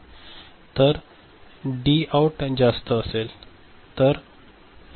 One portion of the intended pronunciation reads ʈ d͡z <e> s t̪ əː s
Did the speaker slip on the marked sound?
yes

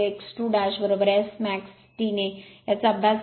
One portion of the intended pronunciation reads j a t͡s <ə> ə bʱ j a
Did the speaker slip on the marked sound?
yes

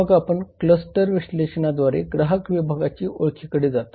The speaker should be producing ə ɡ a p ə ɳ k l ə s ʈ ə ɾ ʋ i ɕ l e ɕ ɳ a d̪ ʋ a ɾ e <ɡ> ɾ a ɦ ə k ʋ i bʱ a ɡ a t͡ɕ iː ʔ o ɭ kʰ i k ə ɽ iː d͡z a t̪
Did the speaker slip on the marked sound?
no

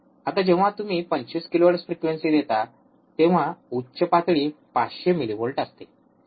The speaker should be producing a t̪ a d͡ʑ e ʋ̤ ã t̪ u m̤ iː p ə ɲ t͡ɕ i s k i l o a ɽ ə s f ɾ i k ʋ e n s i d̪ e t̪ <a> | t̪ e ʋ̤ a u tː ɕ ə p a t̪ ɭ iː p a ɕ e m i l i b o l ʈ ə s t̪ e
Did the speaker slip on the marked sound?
no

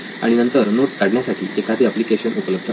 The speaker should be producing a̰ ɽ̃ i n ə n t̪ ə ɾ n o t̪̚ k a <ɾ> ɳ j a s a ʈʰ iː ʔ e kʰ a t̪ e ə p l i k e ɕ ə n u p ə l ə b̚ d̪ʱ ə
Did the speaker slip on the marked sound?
yes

